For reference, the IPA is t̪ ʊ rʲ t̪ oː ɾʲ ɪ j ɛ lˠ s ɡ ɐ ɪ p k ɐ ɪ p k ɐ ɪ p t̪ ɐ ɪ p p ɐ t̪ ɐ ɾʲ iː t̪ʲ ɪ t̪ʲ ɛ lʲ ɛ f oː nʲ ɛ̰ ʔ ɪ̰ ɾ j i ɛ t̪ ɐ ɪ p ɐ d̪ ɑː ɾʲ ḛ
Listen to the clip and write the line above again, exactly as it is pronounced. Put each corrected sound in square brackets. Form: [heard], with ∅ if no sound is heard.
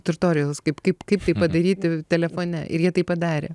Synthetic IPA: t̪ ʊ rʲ t̪ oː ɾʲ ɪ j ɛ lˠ s [k] ɐ ɪ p k ɐ ɪ p k ɐ ɪ p t̪ ɐ ɪ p p ɐ [d̪] ɐ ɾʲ iː t̪ʲ ɪ t̪ʲ ɛ lʲ ɛ f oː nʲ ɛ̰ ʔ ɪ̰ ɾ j i ɛ t̪ ɐ ɪ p ɐ d̪ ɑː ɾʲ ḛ